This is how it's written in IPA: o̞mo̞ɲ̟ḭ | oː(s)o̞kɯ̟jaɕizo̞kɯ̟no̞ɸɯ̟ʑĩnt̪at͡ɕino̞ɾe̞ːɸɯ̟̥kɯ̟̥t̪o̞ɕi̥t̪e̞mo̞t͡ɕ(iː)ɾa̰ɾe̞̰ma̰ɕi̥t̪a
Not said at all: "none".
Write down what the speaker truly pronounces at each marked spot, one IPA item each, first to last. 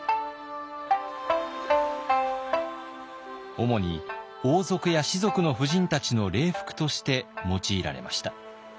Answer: z, iː

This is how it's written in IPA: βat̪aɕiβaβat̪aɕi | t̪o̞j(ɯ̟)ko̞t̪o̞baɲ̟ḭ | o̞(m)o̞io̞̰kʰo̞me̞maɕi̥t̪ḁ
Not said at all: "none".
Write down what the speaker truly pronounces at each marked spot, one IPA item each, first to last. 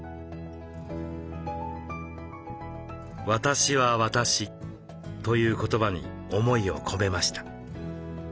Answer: ɯ̟ː, m

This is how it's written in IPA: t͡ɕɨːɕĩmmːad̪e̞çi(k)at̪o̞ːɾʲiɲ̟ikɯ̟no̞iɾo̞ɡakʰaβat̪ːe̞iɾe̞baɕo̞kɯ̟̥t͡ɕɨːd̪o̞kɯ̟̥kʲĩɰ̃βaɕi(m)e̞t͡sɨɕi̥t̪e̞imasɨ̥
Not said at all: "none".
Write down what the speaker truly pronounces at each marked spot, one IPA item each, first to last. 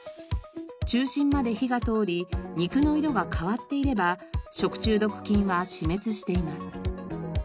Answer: ɡ, m

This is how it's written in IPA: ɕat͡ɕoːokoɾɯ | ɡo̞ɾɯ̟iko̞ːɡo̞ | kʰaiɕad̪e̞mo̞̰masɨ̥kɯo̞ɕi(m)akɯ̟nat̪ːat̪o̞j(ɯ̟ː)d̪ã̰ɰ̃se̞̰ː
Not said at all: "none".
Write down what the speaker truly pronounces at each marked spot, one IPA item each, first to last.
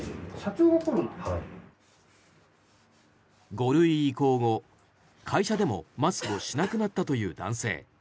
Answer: n, ɯ̟ː

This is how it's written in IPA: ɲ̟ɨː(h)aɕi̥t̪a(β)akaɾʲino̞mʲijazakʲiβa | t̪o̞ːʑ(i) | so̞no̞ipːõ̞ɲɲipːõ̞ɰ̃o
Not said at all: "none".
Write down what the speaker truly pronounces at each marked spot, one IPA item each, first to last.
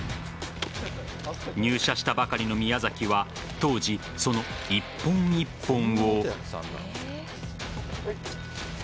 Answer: ɕ, b, i

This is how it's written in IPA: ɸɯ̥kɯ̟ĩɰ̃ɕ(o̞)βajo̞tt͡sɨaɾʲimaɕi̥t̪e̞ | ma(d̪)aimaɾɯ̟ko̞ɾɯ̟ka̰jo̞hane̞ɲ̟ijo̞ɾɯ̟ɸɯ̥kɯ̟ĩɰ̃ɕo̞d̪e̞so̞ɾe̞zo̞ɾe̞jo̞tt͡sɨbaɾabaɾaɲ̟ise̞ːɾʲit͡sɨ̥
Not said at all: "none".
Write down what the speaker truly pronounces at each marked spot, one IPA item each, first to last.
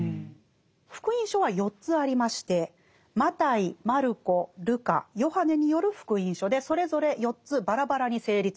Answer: o̞, t̪

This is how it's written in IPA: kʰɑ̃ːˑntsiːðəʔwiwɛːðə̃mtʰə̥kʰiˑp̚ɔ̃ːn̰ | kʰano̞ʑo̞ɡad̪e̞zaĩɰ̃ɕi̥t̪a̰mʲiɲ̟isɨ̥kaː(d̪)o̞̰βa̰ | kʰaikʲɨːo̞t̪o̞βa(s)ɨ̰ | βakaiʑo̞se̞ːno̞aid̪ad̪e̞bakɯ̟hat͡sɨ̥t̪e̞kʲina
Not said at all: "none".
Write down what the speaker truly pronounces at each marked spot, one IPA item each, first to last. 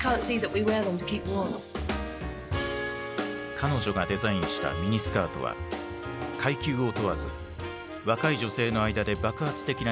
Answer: t̪, z

